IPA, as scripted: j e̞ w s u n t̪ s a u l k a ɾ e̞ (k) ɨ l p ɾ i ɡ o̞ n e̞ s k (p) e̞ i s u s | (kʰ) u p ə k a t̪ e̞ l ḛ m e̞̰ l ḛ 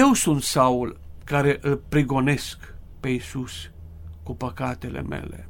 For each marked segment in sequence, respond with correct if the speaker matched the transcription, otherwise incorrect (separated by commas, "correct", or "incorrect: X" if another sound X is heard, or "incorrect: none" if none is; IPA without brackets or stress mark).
incorrect: ʔ, correct, incorrect: k